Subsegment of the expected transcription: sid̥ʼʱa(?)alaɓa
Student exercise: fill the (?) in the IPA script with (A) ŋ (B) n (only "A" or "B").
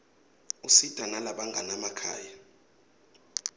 B